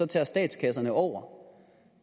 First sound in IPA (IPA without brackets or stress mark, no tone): ɒ̽